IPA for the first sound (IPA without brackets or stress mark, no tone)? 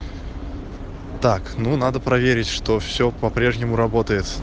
t̪